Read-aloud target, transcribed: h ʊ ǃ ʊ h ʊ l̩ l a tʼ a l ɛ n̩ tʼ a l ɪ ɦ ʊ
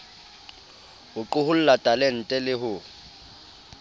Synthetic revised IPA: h ʊ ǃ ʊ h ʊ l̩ l a tʼ a l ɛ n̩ tʼ ɛ l ɪ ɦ ʊ